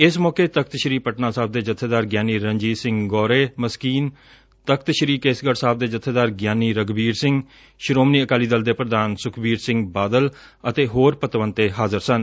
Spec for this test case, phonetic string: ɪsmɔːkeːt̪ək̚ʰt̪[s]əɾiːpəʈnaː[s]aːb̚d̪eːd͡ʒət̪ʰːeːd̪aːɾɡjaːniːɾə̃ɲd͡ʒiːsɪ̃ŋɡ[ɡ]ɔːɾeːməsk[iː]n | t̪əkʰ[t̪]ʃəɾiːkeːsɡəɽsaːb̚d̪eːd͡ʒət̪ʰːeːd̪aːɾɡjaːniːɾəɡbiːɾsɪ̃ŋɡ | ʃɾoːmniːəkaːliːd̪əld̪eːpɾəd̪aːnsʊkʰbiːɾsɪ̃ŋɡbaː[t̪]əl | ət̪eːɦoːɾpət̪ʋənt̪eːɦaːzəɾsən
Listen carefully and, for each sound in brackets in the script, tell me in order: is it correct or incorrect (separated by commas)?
incorrect, correct, correct, correct, correct, incorrect